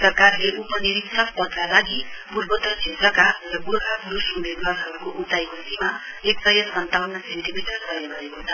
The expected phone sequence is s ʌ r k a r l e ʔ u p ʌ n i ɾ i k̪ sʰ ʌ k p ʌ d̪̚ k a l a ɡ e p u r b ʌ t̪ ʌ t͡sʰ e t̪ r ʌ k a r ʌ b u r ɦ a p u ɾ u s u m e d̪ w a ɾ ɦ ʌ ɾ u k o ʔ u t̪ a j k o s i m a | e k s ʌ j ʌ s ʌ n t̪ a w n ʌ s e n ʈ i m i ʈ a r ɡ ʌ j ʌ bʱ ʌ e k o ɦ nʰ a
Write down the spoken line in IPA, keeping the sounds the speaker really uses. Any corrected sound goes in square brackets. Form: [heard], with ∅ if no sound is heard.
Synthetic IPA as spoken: s ʌ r k a r l e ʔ u p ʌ n i ɾ i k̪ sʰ ʌ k p ʌ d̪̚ k a l a ɡ [i] p u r b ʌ t̪ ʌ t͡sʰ e t̪ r ʌ k a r ʌ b u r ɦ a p u ɾ u s u m e d̪ w a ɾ ɦ ʌ ɾ u k o ʔ u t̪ a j k o s i m a | e k s ʌ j ʌ s ʌ n t̪ a w n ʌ s e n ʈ i m i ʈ [ʌ] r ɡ ʌ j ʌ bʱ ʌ e k o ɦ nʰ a